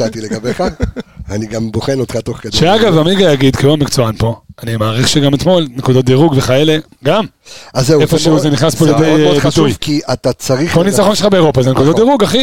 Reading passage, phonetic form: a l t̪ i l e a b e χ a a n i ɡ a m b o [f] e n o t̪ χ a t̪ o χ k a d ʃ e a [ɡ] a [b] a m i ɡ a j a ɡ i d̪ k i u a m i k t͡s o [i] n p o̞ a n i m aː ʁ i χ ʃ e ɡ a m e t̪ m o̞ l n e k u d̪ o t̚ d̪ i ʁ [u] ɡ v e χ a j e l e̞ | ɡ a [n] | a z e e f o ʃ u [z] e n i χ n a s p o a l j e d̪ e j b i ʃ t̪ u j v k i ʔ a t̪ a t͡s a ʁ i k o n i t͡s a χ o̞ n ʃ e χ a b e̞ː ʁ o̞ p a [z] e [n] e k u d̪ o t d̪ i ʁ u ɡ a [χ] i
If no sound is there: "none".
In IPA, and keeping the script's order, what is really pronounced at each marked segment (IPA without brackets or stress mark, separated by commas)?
χ, ɡ, v, a, u, m, z, z, n, χ